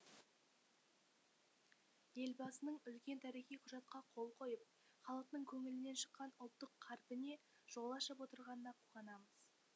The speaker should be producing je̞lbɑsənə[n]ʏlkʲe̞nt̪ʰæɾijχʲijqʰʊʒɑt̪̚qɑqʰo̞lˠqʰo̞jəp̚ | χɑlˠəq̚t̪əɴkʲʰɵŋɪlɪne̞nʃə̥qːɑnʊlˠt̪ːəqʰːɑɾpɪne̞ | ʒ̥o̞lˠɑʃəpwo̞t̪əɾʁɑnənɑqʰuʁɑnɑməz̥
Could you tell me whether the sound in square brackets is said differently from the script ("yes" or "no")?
yes